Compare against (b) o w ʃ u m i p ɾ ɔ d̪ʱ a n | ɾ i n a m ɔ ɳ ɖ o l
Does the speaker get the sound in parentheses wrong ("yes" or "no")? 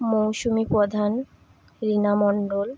yes